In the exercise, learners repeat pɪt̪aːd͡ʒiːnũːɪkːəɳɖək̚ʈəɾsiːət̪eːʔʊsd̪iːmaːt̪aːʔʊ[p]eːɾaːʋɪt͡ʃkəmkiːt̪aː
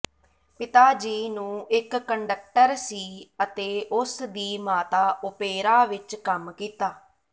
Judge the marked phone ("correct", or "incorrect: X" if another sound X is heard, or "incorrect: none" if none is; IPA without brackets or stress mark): correct